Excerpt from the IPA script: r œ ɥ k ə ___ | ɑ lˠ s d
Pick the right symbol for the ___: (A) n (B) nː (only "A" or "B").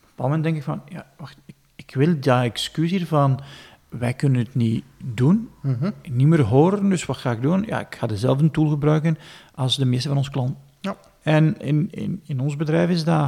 A